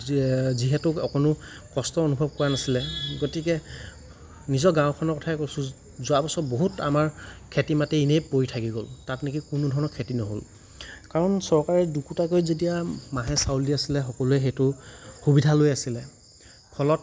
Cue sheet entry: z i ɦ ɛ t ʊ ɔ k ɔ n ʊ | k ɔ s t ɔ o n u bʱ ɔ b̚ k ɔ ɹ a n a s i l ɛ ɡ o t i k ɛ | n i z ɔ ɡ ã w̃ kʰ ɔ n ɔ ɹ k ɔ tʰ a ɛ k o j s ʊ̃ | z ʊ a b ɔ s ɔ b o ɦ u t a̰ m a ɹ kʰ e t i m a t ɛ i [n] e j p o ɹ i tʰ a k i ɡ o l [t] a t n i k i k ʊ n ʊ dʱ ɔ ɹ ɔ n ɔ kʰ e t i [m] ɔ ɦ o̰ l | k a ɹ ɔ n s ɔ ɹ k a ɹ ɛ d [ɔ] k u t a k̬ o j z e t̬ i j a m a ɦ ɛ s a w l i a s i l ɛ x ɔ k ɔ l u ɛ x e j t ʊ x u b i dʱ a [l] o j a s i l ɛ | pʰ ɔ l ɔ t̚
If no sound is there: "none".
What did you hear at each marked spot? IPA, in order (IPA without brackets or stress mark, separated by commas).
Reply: n, t, n, u, l